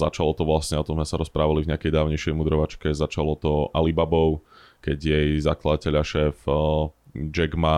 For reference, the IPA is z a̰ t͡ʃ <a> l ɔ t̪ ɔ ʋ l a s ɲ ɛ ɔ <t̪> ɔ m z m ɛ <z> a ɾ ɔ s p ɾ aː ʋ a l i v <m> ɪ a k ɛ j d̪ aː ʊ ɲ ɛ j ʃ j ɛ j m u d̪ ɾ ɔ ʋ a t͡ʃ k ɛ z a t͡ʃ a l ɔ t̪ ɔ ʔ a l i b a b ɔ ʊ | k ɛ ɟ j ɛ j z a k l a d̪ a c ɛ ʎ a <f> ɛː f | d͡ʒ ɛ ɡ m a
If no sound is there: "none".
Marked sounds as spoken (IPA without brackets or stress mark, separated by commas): a, t̪, s, ɲ, ʃ